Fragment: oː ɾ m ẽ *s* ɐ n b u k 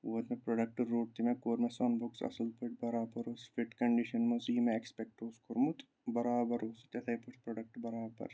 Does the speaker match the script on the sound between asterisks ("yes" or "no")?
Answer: yes